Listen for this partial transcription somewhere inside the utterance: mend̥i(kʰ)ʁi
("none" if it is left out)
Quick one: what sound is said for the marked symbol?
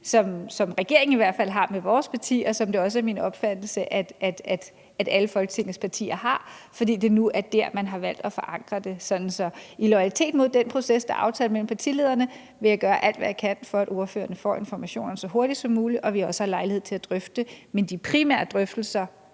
pʰ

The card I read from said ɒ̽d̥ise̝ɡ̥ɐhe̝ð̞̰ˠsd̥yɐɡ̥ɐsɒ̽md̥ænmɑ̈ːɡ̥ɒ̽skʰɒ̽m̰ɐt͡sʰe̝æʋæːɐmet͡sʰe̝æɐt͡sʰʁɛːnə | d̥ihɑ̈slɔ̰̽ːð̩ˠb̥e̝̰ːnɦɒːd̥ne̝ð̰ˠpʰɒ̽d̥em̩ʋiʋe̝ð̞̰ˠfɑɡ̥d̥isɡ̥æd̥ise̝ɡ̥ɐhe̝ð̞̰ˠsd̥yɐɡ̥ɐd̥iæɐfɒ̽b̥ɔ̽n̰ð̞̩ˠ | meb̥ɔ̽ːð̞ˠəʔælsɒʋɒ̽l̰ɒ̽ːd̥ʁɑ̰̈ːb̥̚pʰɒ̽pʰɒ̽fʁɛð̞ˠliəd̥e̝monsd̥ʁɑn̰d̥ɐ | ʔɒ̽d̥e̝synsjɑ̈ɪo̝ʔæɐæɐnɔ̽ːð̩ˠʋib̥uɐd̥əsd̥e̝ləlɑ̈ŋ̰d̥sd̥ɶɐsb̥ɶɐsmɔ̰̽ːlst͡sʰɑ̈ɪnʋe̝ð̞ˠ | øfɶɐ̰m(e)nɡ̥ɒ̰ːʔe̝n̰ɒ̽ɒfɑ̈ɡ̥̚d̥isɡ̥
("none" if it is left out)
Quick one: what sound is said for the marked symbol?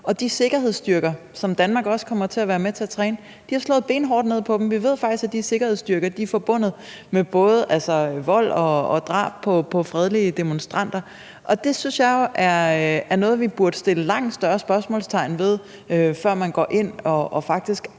æ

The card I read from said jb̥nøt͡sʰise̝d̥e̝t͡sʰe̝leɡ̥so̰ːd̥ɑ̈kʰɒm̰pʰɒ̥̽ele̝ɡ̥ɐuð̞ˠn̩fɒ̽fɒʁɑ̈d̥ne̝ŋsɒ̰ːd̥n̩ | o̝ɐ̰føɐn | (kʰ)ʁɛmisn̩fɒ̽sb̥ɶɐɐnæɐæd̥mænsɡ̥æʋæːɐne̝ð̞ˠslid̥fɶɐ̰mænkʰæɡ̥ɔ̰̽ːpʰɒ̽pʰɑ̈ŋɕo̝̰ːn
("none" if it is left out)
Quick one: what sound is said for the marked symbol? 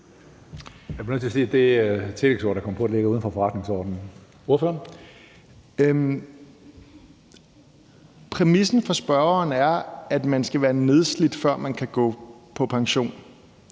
pʰ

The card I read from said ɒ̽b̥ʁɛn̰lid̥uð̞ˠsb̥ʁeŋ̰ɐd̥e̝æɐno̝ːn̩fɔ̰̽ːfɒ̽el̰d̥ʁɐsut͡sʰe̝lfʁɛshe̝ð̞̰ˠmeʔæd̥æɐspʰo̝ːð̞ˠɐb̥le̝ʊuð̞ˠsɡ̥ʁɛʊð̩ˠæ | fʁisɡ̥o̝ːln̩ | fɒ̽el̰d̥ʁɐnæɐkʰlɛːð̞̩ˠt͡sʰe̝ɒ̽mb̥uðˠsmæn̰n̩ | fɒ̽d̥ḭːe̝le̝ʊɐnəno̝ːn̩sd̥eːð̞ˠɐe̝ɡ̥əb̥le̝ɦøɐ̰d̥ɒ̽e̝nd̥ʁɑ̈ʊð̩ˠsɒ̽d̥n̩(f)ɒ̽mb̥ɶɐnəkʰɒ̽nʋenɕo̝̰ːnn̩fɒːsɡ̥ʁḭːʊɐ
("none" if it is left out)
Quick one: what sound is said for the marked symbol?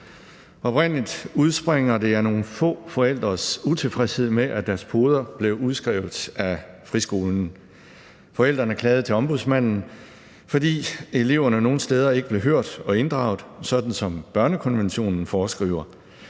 s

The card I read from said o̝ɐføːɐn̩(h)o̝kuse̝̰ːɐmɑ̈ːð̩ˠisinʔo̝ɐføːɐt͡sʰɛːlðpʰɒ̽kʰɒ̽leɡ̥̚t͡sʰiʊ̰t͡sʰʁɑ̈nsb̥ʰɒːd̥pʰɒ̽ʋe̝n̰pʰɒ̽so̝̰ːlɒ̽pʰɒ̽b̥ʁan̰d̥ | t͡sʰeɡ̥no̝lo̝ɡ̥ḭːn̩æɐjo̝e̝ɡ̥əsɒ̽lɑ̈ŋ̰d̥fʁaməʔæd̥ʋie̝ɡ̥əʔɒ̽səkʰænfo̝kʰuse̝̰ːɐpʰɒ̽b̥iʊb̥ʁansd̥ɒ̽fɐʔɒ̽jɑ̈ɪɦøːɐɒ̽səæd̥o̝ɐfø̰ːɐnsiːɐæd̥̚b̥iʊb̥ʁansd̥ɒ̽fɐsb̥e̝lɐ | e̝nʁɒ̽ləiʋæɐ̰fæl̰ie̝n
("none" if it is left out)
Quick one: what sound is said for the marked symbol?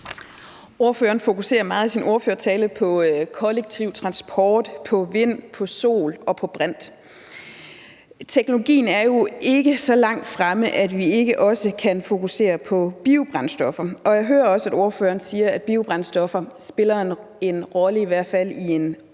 f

